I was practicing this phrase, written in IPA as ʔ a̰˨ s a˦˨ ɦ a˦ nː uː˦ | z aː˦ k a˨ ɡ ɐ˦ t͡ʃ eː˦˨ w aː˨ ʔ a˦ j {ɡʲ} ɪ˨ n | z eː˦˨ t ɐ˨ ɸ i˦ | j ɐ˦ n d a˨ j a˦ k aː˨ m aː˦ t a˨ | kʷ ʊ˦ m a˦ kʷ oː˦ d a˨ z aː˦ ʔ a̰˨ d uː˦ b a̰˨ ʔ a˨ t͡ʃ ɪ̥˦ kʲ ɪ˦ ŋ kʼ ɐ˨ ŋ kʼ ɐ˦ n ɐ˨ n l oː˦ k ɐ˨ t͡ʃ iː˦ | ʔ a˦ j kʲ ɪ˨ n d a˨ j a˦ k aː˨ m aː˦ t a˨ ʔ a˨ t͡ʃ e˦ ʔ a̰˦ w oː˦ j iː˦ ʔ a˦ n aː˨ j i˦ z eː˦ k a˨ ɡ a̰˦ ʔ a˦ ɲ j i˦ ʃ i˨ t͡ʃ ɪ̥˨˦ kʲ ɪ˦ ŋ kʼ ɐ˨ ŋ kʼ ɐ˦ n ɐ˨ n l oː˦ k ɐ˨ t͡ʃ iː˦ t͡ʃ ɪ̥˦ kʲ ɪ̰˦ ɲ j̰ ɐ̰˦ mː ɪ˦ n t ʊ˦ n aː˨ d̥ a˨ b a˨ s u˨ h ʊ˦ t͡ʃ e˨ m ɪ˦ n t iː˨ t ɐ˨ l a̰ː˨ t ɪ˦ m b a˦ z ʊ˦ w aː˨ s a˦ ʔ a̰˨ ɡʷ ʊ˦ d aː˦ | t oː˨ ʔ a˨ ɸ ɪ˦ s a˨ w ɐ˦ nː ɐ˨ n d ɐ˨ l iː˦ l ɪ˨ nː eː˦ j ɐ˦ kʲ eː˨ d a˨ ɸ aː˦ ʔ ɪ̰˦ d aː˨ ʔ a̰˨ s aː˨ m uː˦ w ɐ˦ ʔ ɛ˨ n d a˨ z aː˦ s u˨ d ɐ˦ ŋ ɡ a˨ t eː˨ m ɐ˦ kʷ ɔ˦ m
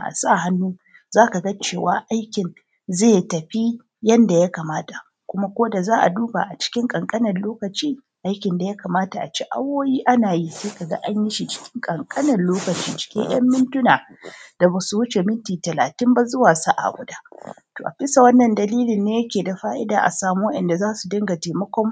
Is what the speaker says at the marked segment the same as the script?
no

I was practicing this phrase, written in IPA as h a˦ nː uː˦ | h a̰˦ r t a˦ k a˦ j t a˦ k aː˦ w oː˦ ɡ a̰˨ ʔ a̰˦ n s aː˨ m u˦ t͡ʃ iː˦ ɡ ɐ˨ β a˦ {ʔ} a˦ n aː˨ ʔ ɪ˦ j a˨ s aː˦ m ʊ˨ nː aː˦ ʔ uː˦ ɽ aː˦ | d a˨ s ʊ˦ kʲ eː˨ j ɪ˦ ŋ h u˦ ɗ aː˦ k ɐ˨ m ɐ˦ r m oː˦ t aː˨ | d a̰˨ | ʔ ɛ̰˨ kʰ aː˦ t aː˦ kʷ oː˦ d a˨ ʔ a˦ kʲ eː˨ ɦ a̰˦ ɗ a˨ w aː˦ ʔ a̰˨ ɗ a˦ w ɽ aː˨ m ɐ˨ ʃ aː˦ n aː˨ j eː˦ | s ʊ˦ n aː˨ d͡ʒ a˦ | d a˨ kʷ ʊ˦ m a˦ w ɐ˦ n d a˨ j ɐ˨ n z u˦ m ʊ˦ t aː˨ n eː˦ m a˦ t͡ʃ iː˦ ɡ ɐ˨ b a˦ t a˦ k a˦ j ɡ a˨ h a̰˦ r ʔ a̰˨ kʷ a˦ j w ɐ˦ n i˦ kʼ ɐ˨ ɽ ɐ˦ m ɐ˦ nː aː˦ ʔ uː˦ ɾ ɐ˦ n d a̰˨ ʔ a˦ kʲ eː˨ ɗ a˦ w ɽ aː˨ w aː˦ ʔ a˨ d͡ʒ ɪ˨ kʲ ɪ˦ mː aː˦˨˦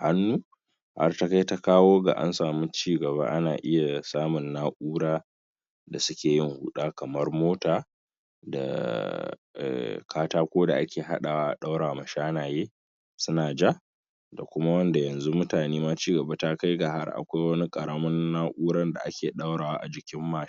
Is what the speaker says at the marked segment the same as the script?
yes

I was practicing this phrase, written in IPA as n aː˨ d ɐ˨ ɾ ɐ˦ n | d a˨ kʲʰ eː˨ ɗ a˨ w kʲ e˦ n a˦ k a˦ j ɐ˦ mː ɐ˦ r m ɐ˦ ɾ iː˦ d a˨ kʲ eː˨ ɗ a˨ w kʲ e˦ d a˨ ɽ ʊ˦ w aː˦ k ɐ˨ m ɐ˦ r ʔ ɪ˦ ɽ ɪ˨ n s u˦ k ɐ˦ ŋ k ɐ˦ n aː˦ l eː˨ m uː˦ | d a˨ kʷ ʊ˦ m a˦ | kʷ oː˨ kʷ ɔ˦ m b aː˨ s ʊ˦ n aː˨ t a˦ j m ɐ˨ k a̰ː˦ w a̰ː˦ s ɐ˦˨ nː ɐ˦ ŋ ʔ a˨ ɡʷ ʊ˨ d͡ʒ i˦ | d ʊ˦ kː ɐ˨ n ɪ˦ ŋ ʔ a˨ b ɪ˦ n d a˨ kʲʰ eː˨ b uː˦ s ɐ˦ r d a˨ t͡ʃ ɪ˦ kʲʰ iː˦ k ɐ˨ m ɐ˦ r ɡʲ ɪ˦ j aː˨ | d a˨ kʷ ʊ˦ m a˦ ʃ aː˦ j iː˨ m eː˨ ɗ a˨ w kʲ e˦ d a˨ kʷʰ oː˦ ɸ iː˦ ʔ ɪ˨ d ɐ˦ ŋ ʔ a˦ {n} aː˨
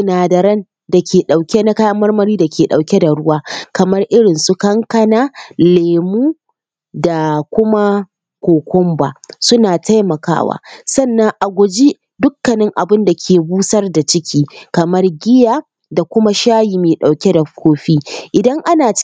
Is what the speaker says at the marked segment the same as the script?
yes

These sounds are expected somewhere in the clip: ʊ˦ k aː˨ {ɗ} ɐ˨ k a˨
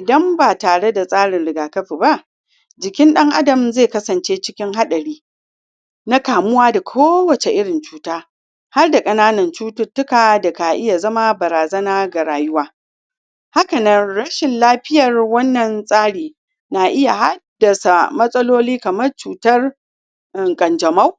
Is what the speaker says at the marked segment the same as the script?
no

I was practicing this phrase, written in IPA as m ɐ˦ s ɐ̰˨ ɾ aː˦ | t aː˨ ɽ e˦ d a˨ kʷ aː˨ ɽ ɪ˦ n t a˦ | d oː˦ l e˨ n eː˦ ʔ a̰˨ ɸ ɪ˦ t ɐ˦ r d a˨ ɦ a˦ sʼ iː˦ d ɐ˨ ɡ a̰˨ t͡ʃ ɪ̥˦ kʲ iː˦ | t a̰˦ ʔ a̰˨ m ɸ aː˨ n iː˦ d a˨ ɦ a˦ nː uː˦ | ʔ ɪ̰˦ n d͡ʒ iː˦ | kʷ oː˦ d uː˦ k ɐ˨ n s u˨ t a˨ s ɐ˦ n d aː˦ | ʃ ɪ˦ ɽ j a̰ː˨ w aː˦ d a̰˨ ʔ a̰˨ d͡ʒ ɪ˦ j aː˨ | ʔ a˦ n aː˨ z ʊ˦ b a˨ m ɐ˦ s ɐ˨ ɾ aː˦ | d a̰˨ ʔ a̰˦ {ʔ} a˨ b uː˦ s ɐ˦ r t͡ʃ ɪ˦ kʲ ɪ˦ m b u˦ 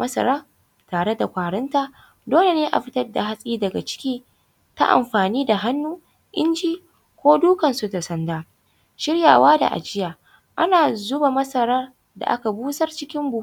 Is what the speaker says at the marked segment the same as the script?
no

